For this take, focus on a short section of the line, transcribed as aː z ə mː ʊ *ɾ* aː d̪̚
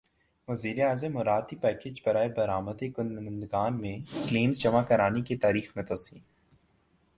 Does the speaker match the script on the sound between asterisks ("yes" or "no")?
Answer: yes